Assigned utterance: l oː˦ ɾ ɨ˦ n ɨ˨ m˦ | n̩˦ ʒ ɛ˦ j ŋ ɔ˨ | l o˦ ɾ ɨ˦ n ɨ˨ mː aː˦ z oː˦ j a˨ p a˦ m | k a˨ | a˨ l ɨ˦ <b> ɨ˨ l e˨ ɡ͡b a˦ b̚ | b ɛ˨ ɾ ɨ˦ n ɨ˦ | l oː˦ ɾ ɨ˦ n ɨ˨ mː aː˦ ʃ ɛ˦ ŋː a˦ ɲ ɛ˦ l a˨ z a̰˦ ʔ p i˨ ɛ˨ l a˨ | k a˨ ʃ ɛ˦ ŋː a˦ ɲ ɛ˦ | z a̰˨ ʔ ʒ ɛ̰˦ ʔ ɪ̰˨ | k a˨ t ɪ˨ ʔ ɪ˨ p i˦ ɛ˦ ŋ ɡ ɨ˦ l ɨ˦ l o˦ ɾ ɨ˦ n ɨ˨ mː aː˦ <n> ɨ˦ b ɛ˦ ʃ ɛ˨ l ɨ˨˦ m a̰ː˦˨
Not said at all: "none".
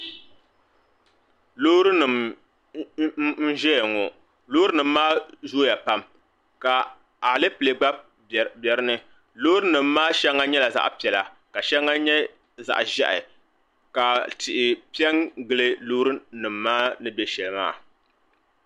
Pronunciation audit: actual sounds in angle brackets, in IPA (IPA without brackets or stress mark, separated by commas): p, n